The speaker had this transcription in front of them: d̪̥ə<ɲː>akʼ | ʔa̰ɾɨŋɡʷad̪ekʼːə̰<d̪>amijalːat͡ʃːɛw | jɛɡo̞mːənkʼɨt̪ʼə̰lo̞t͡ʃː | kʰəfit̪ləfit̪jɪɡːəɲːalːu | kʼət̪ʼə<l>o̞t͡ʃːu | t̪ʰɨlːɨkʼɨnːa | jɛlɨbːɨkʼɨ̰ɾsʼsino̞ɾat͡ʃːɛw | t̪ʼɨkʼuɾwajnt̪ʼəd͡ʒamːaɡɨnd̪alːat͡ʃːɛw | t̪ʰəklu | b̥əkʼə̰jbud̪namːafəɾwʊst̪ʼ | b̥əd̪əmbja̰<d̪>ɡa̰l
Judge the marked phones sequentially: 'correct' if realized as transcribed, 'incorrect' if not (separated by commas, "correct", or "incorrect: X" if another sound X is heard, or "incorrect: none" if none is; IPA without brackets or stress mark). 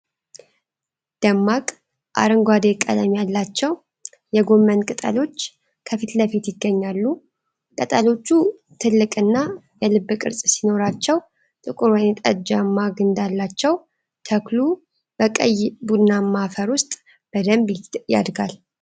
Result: incorrect: mː, correct, correct, correct